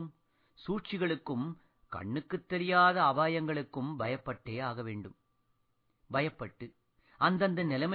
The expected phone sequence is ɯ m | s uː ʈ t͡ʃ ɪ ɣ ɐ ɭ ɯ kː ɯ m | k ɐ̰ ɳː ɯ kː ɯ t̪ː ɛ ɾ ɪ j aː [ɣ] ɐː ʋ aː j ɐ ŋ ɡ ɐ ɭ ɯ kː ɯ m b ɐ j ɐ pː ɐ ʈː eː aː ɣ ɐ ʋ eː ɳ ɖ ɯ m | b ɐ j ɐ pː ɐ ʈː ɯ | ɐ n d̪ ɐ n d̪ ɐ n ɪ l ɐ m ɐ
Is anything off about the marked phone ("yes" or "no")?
yes